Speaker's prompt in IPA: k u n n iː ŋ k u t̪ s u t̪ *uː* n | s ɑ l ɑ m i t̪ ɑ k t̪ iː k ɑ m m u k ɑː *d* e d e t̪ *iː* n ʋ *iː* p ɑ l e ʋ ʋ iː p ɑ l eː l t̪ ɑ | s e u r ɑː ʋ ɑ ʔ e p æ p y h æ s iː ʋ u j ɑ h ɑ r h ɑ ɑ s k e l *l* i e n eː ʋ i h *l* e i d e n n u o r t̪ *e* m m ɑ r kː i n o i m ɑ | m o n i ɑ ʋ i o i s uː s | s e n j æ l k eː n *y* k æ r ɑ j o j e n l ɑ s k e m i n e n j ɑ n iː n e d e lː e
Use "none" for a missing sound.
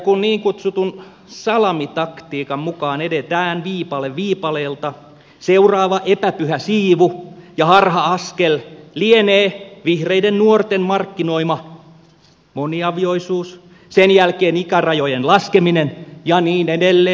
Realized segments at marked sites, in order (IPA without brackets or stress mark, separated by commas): u, n, æː, iː, l, r, e, i